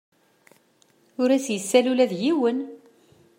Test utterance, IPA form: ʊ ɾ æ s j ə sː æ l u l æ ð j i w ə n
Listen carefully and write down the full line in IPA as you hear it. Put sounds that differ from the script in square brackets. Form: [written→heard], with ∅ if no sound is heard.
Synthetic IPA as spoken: ʊ ɾ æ s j ə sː æ l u l æ ð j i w ə n